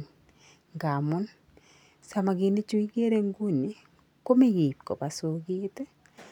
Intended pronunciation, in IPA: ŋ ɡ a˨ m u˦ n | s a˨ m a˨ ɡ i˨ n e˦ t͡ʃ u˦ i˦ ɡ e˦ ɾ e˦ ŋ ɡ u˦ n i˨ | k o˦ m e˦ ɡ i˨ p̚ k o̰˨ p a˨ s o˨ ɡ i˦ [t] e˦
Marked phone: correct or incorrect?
correct